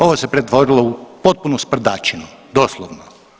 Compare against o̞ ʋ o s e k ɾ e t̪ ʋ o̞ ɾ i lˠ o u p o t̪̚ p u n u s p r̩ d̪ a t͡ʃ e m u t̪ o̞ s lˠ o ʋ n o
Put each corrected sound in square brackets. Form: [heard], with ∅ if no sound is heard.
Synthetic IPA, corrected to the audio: o̞ ʋ o s e [p] ɾ e t̪ ʋ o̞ ɾ i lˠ o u p o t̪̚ p u n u s p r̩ d̪ a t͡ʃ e [n] u [d̪] o̞ s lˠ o ʋ n o

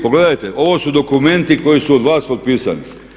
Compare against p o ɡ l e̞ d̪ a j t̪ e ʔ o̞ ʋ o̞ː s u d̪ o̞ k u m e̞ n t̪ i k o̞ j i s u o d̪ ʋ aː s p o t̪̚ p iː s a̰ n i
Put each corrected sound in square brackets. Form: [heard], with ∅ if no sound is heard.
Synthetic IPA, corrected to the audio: p o ɡ l e̞ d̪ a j t̪ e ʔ o̞ ʋ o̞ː s u d̪ o̞ k u m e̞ n t̪ i k o̞ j i s u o d̪ ʋ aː s p o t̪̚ p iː s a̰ n i

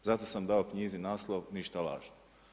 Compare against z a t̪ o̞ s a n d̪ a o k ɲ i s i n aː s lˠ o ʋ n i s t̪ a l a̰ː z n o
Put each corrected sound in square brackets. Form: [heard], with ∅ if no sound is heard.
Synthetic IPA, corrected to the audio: z a t̪ o̞ s a [m] d̪ a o k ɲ i [z] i n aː s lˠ o ʋ n i [ʃ] t̪ a l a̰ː [ʒ] n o

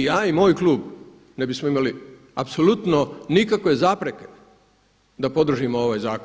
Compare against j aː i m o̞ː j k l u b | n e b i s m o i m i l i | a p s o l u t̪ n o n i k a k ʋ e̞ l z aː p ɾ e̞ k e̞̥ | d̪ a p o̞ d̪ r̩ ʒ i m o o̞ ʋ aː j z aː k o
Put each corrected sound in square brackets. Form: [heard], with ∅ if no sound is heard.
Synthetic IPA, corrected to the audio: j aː i m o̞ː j k l [uː] b | n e b i s m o i m [a] l i | a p s o l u t̪ n o n i k a k ʋ e̞ [∅] z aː p ɾ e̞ k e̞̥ | d̪ a p o̞ d̪ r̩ ʒ i m o o̞ ʋ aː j z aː k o

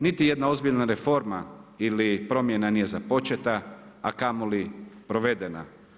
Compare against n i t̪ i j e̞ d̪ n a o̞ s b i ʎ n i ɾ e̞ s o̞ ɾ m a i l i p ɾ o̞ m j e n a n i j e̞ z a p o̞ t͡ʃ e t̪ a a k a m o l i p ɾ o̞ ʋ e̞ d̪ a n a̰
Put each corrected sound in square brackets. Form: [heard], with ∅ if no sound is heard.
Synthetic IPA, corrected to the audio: n i t̪ i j e̞ d̪ n a o̞ [z] b i ʎ n [a] ɾ e̞ [f] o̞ ɾ m a i l i p ɾ o̞ m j e n a n i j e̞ z a p o̞ t͡ʃ e t̪ a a k a m o l i p ɾ o̞ ʋ e̞ d̪ [e] n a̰

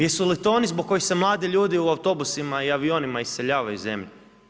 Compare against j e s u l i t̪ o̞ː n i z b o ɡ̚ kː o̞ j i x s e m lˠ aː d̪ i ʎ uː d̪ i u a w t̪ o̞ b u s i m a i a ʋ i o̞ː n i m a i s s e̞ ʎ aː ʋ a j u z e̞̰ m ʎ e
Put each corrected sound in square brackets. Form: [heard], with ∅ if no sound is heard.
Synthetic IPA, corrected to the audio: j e s u l i t̪ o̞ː n i z b o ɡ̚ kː o̞ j i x s e m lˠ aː d̪ i ʎ uː d̪ i u a w t̪ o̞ b u s i m a i a ʋ i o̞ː n i m a i s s e̞ ʎ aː ʋ a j u z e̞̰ m ʎ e

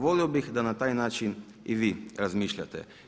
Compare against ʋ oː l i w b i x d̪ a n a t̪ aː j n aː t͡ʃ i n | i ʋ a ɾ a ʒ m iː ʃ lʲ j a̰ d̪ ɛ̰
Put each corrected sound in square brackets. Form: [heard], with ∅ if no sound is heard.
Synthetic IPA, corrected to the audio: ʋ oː l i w b i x d̪ a n a t̪ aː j n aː t͡ʃ i n | i ʋ [i] ɾ a [z] m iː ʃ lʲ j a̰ [t̪] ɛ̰

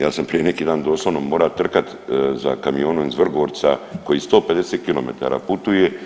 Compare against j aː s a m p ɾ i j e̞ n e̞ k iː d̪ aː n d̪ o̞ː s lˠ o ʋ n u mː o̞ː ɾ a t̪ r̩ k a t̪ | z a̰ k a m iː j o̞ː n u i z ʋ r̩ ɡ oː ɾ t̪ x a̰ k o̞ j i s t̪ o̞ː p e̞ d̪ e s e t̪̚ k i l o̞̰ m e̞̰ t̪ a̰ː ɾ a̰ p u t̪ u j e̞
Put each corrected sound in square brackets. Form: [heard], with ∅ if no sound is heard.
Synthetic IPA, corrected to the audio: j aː s a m p ɾ i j e̞ n e̞ k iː d̪ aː n d̪ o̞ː s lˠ o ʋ n [o] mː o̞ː ɾ a t̪ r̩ k a t̪ | z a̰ k a m [i] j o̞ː n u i z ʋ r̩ ɡ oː ɾ t̪ [s] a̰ k o̞ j i s t̪ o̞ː p e̞ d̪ e s e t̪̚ k i l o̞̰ m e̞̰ t̪ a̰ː ɾ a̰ p u t̪ u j e̞

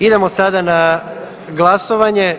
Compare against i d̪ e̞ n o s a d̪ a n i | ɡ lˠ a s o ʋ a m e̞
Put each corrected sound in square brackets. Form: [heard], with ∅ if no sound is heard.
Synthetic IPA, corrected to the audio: i d̪ e̞ [m] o s a d̪ a n [a] | ɡ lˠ a s o ʋ a [ɲ] e̞

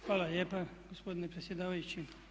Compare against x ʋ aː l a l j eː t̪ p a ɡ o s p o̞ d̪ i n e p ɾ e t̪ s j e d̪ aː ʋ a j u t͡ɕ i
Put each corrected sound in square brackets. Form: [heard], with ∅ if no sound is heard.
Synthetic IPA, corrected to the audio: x ʋ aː l a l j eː [∅] p a ɡ o s p o̞ d̪ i n e p ɾ e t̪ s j e d̪ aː ʋ a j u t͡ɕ i

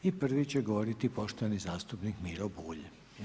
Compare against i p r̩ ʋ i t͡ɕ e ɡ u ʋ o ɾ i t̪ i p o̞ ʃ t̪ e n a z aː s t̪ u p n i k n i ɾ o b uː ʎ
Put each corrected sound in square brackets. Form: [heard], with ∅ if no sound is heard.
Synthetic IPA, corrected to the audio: i p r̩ ʋ i t͡ɕ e ɡ [o] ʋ o ɾ i t̪ i p o̞ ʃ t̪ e n [i] z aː s t̪ u p n i k [m] i ɾ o b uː ʎ

